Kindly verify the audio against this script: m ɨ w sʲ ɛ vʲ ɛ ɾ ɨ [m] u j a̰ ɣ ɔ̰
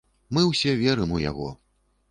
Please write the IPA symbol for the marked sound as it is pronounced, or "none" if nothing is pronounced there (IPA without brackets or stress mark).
m